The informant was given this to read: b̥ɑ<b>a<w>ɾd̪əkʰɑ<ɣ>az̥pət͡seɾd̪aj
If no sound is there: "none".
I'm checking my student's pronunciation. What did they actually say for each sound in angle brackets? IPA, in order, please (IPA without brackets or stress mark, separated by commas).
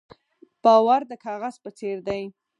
w, none, ɣ